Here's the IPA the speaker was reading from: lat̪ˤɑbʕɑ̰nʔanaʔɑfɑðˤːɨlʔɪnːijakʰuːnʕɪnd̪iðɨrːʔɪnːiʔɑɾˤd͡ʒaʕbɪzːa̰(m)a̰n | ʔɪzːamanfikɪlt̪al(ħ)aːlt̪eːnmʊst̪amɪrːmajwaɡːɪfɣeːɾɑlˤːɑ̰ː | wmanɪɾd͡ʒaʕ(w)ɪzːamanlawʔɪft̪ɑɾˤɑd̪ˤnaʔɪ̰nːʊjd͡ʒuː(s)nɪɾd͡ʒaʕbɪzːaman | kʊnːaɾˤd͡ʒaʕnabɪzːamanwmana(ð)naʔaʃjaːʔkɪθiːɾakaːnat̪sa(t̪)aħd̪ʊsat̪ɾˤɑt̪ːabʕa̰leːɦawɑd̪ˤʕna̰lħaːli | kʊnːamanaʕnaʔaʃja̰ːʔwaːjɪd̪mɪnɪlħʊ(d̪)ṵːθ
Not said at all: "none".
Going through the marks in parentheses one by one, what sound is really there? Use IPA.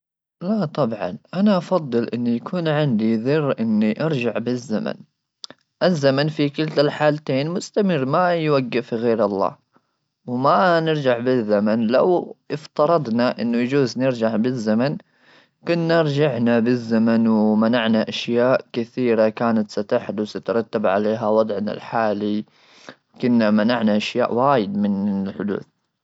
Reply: m, ħ, b, z, ʕ, t̪, d̪

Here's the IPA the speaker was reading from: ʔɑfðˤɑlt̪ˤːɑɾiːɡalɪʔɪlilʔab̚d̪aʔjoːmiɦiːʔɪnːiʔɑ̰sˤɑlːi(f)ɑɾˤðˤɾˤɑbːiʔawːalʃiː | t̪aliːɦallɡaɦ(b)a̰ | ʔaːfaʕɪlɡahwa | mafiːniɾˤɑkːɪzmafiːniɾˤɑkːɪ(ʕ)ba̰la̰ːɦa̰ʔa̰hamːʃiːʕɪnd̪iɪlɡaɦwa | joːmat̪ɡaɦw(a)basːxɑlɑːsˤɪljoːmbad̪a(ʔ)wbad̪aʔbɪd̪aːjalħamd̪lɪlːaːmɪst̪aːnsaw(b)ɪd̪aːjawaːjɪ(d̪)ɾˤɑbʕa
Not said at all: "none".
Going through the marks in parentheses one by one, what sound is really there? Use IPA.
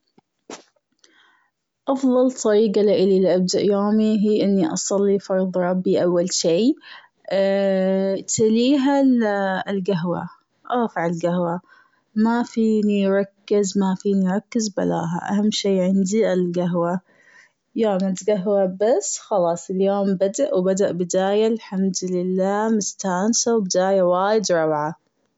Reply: f, w, z, a, ʔ, b, d̪

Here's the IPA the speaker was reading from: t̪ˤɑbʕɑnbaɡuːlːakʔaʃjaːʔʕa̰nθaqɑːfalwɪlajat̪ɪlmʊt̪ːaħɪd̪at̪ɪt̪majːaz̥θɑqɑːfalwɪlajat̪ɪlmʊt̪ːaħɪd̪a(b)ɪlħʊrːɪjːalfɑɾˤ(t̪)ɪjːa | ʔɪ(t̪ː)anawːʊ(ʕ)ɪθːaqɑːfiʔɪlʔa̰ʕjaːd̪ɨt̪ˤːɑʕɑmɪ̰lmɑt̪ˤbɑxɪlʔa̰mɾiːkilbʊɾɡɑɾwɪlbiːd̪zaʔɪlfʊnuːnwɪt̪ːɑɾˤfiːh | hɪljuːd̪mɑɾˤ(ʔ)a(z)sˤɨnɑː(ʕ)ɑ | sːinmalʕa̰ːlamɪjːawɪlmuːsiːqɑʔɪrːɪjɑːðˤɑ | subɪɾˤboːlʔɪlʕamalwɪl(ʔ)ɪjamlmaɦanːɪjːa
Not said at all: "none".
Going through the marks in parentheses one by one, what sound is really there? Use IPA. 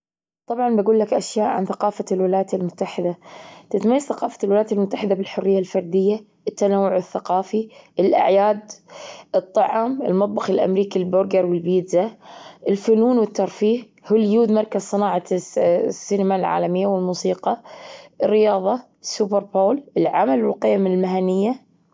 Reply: b, d̪, t̪ː, ʕ, k, z, ʕ, q

